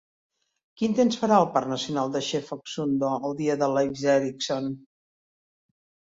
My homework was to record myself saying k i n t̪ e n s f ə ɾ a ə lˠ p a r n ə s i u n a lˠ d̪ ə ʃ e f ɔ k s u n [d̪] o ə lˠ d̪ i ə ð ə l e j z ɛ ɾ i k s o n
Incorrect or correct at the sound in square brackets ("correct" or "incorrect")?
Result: correct